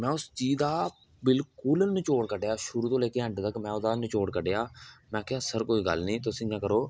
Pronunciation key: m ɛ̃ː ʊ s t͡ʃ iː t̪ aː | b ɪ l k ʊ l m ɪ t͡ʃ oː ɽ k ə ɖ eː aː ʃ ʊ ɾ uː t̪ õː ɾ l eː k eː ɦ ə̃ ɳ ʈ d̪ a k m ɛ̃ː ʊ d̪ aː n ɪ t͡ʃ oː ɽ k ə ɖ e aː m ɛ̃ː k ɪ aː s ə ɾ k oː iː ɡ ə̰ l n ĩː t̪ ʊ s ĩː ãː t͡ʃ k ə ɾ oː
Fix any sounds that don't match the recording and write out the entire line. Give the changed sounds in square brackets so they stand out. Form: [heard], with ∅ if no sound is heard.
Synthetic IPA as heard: m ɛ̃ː ʊ s t͡ʃ iː [d̪] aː | b ɪ l k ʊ l [n] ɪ t͡ʃ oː ɽ k ə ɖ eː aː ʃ ʊ ɾ uː t̪ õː [∅] l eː k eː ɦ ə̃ ɳ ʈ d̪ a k m ɛ̃ː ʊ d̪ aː n ɪ t͡ʃ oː ɽ k ə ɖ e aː m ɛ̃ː k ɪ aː s ə ɾ k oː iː ɡ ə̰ l n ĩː t̪ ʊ s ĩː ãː [∅] k ə ɾ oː